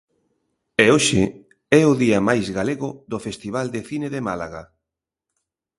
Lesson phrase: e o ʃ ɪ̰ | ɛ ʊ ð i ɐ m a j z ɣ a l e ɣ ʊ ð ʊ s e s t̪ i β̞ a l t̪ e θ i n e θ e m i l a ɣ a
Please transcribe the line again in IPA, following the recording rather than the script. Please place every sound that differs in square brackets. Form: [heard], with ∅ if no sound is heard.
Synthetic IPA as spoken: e o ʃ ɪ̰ | ɛ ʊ ð i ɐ m a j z ɣ a l e ɣ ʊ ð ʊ [f] e s t̪ i β̞ a l [d̪] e θ i n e [ð] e m [a] l a ɣ a